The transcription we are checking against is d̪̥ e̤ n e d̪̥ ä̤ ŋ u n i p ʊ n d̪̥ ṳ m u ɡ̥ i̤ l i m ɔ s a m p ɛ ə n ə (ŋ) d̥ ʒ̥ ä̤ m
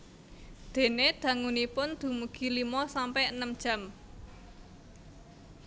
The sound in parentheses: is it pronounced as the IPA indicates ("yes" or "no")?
no